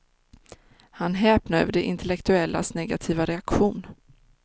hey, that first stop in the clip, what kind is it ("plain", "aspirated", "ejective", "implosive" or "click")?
plain